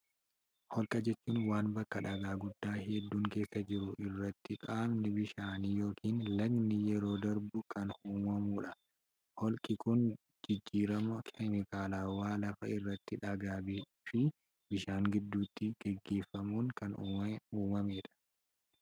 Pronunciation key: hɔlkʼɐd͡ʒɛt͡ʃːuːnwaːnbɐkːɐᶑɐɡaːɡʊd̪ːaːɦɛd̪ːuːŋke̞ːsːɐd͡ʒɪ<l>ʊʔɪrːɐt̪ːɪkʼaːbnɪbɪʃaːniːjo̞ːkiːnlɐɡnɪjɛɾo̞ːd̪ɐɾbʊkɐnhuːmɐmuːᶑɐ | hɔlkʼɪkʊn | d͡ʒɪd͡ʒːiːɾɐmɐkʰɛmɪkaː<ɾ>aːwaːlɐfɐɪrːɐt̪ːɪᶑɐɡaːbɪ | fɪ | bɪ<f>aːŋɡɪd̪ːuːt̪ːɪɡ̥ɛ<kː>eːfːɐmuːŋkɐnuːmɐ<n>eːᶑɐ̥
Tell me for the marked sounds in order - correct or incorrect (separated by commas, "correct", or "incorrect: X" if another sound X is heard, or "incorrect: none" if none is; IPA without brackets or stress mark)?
incorrect: ɾ, incorrect: l, incorrect: ʃ, incorrect: ɡː, incorrect: m